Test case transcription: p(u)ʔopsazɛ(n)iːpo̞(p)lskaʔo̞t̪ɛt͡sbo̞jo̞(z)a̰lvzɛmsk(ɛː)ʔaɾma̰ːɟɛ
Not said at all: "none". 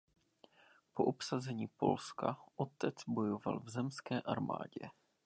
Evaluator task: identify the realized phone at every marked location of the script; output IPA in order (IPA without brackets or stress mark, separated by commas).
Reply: o, ɲ, none, v, ɛː